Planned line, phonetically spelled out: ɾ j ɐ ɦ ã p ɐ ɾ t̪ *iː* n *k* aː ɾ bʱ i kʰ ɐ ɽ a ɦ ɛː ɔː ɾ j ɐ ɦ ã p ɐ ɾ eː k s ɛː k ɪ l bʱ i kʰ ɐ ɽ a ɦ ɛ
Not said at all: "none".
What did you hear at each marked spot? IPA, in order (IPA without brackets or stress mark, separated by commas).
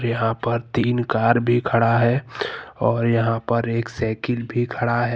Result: iː, k